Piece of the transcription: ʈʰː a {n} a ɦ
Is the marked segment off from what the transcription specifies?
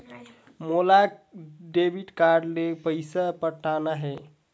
no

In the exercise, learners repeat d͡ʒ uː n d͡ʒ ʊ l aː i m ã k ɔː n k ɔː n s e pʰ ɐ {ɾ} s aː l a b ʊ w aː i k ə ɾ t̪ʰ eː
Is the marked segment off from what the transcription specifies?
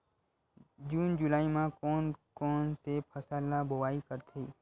yes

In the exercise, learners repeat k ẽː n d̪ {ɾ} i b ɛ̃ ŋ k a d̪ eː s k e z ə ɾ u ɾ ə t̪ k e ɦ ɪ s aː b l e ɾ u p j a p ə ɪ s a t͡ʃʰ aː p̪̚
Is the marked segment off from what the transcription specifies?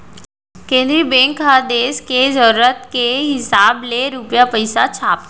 no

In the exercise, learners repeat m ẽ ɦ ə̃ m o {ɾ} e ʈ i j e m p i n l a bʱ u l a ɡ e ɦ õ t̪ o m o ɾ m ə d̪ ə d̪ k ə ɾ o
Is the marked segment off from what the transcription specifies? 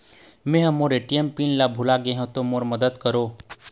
no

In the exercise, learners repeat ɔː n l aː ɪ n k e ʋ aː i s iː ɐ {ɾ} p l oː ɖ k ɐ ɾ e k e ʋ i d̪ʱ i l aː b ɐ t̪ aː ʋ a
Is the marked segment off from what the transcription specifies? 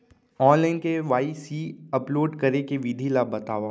yes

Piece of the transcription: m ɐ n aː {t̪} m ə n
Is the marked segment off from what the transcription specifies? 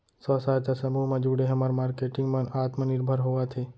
no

